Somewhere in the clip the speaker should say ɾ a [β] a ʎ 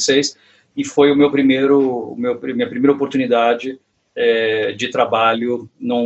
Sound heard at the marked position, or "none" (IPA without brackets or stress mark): b